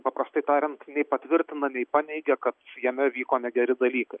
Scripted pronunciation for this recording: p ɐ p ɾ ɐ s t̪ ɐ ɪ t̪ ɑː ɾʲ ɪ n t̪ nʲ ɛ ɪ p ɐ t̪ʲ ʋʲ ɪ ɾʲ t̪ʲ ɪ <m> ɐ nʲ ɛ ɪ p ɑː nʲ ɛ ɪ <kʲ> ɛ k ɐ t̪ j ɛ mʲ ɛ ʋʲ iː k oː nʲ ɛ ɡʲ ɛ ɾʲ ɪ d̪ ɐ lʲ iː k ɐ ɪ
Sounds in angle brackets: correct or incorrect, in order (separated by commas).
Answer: incorrect, incorrect